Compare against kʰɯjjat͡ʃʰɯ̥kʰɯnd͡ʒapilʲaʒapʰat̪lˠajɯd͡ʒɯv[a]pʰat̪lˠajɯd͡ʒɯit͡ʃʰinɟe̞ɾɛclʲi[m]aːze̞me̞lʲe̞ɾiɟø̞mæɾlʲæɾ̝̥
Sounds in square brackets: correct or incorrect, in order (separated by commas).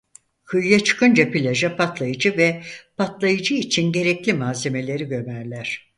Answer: incorrect, correct